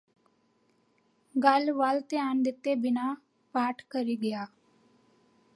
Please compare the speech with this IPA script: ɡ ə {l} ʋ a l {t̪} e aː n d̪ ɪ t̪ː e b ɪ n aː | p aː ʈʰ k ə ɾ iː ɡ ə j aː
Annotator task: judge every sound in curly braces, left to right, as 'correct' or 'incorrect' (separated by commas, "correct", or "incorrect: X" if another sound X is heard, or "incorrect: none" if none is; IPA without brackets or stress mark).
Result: correct, correct